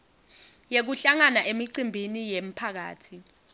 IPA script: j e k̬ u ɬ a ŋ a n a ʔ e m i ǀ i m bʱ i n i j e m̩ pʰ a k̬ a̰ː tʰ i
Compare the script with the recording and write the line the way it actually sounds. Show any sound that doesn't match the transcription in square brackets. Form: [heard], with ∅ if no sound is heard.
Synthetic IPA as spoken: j e k̬ u ɬ a ŋ a n a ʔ e m i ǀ i m bʱ i n i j e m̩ pʰ a k̬ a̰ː tʰ i